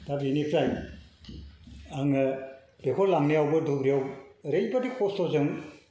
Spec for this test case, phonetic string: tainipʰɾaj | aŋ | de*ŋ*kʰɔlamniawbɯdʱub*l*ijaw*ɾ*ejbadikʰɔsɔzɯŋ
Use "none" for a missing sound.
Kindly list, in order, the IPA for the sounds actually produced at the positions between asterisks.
none, ɾ, ɾ

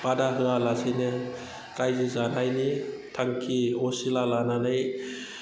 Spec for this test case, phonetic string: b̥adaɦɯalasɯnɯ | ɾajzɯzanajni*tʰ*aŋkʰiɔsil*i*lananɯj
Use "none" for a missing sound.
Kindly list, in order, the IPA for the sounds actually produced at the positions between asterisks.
tʰ, a

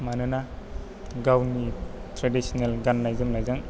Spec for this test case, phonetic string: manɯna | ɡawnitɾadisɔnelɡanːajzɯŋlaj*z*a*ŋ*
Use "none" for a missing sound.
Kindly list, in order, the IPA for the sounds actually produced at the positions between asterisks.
z, ŋ

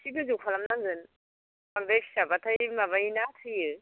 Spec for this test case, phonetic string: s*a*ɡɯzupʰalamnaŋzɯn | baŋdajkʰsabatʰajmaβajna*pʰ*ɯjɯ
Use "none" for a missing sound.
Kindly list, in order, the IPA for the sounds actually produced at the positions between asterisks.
i, tʰ

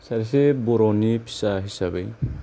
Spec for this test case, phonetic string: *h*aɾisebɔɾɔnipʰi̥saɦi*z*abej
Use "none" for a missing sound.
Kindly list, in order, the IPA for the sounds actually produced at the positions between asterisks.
s, s

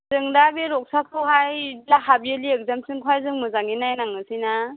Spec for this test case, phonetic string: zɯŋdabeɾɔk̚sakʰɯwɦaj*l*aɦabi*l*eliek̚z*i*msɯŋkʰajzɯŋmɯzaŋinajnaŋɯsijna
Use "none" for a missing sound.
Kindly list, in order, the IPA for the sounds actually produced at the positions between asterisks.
l, none, a

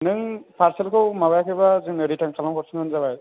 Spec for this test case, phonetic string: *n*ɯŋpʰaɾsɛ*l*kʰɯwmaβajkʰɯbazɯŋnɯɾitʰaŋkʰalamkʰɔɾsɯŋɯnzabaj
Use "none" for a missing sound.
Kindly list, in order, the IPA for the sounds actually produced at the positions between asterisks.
n, l

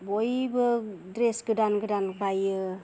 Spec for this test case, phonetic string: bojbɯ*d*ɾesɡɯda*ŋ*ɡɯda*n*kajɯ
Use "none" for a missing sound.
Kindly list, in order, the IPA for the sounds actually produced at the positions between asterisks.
d, n, n

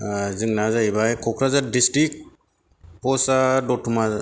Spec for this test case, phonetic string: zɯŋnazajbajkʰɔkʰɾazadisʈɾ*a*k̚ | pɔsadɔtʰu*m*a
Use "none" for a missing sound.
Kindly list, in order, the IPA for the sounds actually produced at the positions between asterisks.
i, m

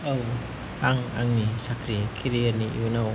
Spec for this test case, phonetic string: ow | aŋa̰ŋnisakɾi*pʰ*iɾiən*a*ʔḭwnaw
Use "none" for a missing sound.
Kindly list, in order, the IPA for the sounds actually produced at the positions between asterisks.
kʰ, i

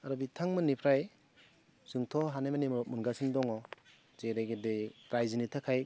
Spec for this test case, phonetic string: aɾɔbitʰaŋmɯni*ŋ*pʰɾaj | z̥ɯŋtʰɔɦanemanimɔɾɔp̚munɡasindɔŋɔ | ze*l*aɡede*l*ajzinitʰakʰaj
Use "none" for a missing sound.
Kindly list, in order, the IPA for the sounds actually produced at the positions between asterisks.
none, ɾ, ɾ

